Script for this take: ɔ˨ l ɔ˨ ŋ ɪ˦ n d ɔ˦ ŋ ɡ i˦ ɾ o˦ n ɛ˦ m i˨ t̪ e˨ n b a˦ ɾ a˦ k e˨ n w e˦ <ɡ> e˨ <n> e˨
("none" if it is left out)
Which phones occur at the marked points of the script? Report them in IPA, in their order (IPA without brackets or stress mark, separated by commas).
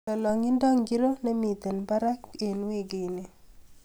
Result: ɡ, n